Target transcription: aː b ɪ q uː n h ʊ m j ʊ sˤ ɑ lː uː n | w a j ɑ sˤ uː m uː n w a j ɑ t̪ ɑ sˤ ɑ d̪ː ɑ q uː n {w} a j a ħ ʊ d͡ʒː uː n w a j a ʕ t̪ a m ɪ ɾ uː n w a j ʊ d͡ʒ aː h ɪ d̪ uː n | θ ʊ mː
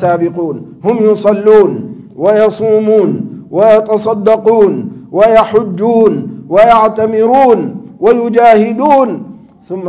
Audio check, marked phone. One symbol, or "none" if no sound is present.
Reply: w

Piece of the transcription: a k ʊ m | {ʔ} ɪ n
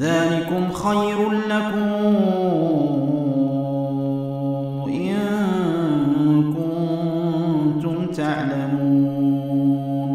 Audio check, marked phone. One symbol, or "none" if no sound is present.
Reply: ʔ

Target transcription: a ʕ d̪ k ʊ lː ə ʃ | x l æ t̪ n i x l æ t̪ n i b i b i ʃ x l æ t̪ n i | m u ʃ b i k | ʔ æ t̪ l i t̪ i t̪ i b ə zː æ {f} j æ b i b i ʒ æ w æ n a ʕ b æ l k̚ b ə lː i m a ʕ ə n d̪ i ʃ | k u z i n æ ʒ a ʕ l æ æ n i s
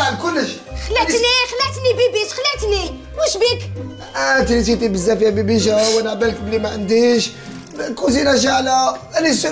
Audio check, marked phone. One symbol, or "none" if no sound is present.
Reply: f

